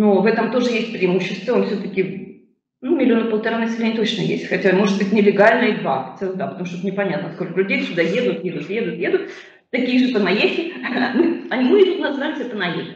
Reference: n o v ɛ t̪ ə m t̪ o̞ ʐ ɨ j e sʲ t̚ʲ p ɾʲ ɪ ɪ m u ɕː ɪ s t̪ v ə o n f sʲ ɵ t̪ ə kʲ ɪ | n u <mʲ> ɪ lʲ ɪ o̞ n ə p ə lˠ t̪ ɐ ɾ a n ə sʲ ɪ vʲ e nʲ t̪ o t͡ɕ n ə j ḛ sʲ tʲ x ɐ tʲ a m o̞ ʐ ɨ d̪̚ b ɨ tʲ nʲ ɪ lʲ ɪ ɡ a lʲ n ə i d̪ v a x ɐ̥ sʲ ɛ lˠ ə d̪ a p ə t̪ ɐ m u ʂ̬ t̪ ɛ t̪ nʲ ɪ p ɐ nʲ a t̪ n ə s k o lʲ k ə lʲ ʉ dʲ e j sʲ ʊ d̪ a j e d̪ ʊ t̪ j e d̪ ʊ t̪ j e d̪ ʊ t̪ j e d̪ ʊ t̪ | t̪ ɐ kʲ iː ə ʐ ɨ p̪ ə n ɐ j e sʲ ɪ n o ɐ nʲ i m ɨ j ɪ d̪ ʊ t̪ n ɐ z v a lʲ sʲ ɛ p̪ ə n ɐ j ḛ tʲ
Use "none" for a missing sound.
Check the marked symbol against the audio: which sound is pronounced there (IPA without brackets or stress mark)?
mʲ